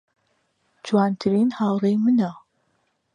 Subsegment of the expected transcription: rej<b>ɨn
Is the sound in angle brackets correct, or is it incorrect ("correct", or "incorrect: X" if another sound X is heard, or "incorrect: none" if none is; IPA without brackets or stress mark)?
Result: incorrect: m